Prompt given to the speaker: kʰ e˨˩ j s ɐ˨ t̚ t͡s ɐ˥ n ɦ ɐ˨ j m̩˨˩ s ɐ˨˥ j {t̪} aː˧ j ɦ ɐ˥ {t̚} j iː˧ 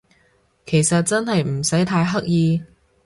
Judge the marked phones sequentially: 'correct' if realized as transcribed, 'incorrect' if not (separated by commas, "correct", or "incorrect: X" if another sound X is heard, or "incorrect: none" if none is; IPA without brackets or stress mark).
incorrect: t̪ʰ, incorrect: k̚